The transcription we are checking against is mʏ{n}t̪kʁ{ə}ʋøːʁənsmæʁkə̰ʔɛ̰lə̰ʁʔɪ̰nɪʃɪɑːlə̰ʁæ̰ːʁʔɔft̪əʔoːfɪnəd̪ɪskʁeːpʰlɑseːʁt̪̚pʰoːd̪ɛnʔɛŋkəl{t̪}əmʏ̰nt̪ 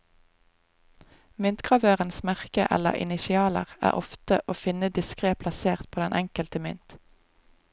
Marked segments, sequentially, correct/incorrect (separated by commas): correct, incorrect, correct